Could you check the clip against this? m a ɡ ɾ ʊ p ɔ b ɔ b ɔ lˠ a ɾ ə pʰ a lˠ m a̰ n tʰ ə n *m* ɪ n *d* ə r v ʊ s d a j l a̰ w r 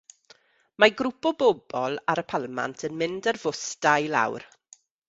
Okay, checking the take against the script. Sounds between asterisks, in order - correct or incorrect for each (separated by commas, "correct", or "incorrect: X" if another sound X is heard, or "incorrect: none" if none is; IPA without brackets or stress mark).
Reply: correct, correct